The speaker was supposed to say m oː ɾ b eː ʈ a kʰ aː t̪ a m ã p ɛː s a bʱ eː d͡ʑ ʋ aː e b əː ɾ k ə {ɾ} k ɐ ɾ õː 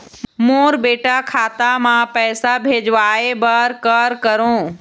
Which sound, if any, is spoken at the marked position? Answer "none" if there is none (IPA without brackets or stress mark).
ɾ